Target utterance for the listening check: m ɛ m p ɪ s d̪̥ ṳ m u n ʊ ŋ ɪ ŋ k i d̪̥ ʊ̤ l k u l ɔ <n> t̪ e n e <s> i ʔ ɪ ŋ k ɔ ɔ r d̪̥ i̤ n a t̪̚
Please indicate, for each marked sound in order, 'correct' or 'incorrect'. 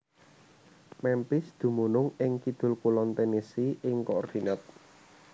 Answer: correct, correct

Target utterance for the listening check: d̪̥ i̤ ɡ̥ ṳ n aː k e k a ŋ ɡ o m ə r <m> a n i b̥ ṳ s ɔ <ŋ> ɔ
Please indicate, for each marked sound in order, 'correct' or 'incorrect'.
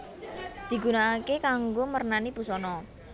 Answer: incorrect: n, incorrect: n

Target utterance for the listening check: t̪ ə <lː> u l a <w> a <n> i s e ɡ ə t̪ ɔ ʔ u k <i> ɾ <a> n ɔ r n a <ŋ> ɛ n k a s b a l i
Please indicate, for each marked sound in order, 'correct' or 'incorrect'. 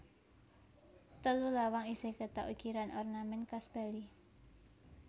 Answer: incorrect: l, correct, incorrect: ŋ, correct, correct, incorrect: m

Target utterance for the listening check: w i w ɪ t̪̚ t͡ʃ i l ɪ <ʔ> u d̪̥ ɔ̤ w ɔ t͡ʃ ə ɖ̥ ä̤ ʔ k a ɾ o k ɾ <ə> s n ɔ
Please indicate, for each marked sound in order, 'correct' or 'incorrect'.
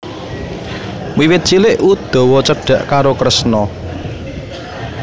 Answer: correct, correct

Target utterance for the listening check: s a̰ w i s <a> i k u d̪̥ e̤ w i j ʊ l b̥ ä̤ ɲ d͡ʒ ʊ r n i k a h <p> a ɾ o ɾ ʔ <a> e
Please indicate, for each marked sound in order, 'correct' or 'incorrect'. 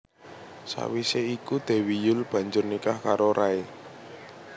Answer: incorrect: e, incorrect: k, correct

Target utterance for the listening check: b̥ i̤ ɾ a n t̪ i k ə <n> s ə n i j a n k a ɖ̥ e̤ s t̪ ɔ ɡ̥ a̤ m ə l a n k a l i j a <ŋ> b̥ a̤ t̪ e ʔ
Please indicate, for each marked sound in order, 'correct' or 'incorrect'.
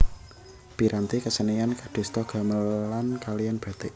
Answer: incorrect: none, incorrect: n

